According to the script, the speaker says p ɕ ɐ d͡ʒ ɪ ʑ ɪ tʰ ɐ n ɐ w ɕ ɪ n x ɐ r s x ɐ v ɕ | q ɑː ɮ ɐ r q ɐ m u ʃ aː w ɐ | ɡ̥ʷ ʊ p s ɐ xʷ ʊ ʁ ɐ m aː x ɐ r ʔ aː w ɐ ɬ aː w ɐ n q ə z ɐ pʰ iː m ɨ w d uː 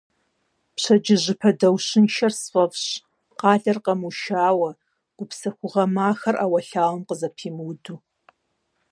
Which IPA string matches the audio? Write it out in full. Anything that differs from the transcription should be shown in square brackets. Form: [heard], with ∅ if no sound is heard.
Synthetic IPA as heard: p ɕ ɐ d͡ʒ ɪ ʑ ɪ [pʰ] ɐ [d] ɐ w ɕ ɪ n [ʃ] ɐ r s [f] ɐ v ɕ | q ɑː ɮ ɐ r q ɐ m u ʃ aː w ɐ | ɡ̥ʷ ʊ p s ɐ xʷ ʊ ʁ ɐ m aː x ɐ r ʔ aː w ɐ ɬ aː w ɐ [m] q ə z ɐ pʰ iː m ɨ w d uː